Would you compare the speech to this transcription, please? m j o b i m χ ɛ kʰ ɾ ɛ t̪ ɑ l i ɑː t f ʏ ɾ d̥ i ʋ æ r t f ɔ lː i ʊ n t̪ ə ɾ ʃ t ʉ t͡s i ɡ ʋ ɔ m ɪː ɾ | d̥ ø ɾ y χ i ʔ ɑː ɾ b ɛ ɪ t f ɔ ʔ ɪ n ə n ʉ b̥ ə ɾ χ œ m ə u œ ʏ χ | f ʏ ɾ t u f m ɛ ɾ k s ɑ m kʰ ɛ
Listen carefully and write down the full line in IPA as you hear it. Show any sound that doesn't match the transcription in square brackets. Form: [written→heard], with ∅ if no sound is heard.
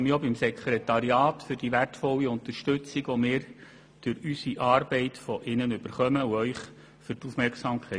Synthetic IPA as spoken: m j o b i m [χ→s] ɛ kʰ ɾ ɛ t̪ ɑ [l→ɾ] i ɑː t f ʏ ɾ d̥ i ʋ æ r t f ɔ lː i ʊ n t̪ ə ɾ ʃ t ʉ t͡s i ɡ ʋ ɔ m ɪː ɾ | d̥ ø ɾ y [χ→s] i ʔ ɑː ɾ b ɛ ɪ t f ɔ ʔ ɪ n ə n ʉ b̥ ə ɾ χ œ m ə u œ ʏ χ | f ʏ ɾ t u f m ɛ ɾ k s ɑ m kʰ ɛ